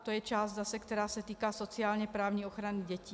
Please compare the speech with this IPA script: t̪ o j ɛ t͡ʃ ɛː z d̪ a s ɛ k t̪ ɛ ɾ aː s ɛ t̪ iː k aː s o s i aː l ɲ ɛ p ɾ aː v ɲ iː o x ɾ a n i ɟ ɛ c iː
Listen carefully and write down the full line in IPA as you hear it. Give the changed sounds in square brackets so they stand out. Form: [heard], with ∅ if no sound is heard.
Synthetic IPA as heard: t̪ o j ɛ t͡ʃ [aː] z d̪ a s ɛ k t̪ ɛ ɾ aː s ɛ t̪ iː k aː s o [t͡s] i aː l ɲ ɛ p ɾ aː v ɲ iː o x ɾ a n i ɟ ɛ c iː